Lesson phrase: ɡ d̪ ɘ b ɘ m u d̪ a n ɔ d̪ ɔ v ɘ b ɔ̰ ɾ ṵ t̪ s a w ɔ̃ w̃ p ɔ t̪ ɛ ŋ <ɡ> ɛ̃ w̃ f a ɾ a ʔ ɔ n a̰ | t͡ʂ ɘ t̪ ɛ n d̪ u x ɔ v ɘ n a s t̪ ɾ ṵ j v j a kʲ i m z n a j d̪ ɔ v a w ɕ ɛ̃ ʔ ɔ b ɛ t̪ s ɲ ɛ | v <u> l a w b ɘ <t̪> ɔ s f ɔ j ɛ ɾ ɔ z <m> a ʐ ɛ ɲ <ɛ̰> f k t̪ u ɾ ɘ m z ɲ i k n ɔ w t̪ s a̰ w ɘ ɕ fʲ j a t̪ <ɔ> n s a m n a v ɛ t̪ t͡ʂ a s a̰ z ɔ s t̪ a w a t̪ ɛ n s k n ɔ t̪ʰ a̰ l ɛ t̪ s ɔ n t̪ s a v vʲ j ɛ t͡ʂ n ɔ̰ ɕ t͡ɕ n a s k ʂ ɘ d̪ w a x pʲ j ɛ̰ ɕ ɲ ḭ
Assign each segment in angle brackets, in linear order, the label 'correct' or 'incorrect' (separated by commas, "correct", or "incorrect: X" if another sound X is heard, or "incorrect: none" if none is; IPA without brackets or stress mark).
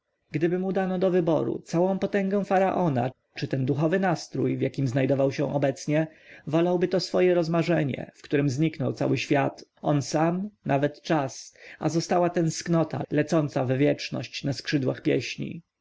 correct, incorrect: ɔ, correct, correct, correct, correct